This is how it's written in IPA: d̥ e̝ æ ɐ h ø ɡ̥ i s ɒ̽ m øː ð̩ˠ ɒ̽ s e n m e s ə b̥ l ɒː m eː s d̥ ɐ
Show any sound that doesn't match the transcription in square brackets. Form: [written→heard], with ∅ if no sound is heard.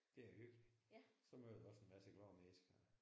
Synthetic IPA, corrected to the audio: d̥ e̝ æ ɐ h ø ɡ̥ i s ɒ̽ m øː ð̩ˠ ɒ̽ s e n m [e→æ] s ə [b̥→ɡ̥] l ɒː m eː s [d̥→ɡ̥] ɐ

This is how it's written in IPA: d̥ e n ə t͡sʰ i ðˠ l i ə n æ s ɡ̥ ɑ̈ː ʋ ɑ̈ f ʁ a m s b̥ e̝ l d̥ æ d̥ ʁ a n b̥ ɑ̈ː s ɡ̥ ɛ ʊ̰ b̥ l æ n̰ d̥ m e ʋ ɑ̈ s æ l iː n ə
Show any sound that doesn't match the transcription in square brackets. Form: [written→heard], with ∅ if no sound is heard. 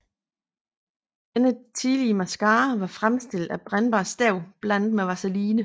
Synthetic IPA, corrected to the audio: d̥ e n ə t͡sʰ i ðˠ l i ə [n→m] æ s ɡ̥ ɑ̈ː ʋ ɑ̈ f ʁ a m s [b̥→d̥] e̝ l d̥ æ [d̥→b̥] ʁ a n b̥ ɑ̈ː s [ɡ̥→d̥] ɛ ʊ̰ b̥ l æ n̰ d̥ m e ʋ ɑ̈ s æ l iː n ə

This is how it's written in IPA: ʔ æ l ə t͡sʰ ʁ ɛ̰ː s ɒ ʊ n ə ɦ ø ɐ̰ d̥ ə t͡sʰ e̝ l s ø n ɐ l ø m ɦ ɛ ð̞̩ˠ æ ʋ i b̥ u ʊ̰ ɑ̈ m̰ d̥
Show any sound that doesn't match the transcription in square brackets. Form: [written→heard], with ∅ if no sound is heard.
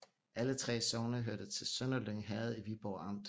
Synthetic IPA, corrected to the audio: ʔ æ l ə t͡sʰ ʁ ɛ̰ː s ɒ ʊ n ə ɦ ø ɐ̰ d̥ ə t͡sʰ e̝ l s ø n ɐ l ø [m→ŋ] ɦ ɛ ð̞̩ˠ [æ→i] ʋ i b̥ [u→ɒ] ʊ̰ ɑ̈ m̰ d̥

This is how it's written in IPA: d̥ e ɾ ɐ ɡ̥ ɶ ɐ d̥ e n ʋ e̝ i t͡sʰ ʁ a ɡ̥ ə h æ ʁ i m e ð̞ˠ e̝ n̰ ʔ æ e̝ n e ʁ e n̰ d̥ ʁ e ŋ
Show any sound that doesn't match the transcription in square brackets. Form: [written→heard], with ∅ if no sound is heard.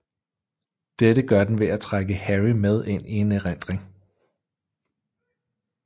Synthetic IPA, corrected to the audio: d̥ e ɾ [ɐ→ə] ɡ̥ ɶ ɐ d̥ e n ʋ e̝ [i→æ] t͡sʰ ʁ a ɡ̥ ə h æ ʁ i m e ð̞ˠ e̝ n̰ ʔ [æ→i] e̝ n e ʁ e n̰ d̥ ʁ e ŋ

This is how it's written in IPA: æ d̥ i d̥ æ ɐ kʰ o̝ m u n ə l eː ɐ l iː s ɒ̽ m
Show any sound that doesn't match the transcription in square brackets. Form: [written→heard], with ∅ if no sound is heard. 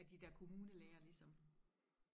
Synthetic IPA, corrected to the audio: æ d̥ i d̥ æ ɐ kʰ o̝ m [u→uː] n ə l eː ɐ l [iː→i] s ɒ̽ m

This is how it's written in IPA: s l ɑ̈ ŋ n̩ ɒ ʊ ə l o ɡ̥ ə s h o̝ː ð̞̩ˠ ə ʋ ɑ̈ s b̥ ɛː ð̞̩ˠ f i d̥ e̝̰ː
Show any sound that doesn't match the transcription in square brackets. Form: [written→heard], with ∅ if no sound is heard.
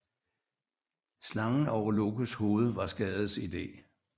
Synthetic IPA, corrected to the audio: s l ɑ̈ ŋ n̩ ɒ ʊ [ə→ɐ] l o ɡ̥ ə s h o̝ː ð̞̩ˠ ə ʋ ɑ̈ s [b̥→ɡ̥] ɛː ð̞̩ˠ [f→s] i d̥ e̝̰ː

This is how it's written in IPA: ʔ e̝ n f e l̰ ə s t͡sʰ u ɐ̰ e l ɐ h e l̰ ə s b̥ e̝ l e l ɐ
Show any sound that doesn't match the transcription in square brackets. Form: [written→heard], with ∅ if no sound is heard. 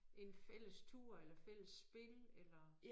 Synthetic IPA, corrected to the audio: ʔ e̝ n f e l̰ ə s t͡sʰ u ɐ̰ e l ɐ [h→f] e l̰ ə s b̥ e̝ l e l ɐ

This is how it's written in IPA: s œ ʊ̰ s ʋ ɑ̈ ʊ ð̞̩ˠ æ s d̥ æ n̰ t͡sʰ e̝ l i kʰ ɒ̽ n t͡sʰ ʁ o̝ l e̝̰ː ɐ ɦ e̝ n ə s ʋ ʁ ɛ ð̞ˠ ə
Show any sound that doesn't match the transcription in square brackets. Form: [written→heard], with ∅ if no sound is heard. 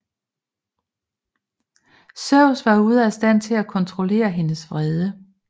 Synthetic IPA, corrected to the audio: s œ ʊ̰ s ʋ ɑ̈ [ʊ→u] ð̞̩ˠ æ s d̥ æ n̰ t͡sʰ e̝ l [i→æ] kʰ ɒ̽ n t͡sʰ ʁ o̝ l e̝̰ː ɐ ɦ e̝ n ə s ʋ ʁ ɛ ð̞ˠ ə

